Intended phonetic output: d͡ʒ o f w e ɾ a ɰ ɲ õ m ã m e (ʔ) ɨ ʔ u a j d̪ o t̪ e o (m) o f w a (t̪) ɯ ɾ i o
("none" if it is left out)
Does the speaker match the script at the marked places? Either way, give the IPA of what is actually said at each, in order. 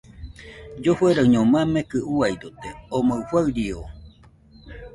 k, m, none

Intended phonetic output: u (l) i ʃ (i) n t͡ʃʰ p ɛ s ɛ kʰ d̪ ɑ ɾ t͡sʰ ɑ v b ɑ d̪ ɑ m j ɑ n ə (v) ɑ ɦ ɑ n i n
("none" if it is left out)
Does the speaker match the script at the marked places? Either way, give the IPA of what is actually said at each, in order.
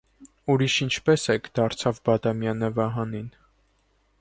ɾ, i, v

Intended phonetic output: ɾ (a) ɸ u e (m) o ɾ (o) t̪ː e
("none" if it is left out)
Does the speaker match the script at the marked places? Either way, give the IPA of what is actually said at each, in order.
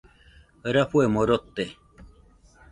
a, m, o

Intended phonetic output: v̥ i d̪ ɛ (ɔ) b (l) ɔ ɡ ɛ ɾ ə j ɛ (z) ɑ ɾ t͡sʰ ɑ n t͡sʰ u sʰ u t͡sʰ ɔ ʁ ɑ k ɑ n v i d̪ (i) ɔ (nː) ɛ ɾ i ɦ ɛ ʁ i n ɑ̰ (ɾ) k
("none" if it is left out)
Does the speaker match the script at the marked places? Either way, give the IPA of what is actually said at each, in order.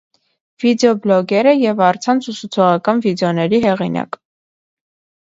ɔ, l, v, ɛ, n, none

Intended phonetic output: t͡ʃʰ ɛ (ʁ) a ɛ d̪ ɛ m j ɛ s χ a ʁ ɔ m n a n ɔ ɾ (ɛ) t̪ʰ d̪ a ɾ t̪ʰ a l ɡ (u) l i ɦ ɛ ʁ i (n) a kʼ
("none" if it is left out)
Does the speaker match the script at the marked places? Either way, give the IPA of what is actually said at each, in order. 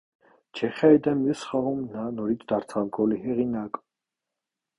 χ, i, ɔ, n

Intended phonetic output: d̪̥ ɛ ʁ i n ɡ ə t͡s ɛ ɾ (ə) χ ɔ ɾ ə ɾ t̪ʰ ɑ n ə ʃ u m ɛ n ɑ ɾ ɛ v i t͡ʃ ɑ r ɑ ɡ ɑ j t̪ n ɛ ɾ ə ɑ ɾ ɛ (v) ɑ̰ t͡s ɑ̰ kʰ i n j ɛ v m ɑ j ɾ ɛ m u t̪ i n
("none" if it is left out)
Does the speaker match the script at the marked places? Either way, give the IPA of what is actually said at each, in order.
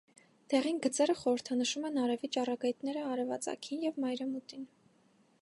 ə, v

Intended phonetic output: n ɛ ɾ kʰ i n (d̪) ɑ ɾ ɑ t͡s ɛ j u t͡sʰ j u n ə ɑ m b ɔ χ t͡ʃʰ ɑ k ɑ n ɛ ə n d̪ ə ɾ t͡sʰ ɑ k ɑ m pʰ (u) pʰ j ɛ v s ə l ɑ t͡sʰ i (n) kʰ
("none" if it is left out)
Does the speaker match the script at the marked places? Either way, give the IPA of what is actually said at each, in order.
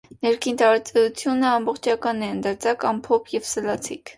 t̪, ɔ, none

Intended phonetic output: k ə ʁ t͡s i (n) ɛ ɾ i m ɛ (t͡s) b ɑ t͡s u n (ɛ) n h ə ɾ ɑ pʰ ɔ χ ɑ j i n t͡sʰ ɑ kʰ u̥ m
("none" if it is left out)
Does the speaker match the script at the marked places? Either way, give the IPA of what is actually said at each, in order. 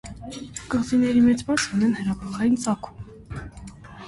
n, t͡s, ɛ

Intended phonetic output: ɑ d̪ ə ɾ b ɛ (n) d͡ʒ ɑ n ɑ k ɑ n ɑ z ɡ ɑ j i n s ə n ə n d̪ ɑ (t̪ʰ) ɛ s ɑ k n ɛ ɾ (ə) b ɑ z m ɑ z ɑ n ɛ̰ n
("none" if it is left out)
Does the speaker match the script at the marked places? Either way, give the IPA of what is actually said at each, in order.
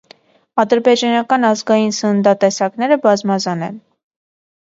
none, t̪, ə

